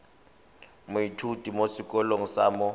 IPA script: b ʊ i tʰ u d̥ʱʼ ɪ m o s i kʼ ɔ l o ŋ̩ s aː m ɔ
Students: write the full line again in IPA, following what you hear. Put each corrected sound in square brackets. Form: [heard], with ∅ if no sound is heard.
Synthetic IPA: [m] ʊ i tʰ u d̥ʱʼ [i] m o s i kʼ ɔ l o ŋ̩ s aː m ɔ